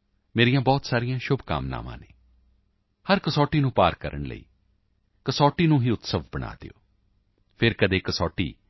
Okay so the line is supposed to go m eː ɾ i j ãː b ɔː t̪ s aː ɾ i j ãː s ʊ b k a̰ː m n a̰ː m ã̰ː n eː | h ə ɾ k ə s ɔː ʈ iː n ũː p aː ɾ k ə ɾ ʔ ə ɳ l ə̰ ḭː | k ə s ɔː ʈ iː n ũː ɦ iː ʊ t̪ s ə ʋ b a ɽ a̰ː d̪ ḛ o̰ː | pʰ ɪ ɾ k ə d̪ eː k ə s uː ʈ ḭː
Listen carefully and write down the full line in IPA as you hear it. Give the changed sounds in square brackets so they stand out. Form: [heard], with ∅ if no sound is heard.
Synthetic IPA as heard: m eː ɾ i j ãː b ɔː t̪ s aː ɾ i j ãː [ʃ] ʊ b k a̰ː m n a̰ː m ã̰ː n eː | h ə ɾ k ə s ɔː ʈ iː n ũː p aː ɾ k ə ɾ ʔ ə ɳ l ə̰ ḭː | k ə s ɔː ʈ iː n ũː ɦ iː ʊ t̪ s ə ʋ b [ə] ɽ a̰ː d̪ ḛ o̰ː | pʰ ɪ ɾ k ə d̪ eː k ə s [ɔː] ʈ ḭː